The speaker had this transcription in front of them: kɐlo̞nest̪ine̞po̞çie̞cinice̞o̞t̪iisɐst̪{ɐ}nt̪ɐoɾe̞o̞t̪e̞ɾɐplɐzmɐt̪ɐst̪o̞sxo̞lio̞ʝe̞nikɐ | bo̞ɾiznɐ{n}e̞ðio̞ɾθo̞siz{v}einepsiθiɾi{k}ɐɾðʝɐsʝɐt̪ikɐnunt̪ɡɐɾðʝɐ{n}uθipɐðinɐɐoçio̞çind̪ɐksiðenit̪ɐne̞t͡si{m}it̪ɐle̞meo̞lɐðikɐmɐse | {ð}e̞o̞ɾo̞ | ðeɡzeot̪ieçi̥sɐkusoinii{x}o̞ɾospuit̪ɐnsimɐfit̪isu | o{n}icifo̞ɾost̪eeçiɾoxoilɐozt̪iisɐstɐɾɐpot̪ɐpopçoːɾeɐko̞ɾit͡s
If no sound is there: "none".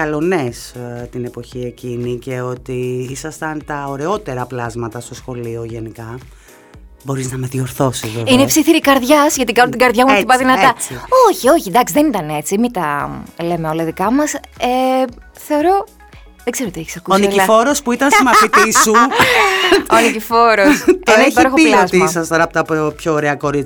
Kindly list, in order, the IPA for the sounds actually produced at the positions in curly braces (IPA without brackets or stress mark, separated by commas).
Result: ɐ, m, v, k, m, m, θ, f, n